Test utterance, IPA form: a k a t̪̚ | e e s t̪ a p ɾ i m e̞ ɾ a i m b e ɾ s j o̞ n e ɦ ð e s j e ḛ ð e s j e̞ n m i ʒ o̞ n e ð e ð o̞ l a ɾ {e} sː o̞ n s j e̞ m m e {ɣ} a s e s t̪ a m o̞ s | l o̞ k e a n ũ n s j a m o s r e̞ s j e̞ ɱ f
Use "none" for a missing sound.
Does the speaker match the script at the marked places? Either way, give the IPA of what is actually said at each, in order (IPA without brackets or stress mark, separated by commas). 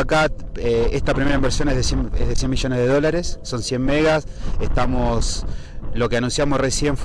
e, ɣ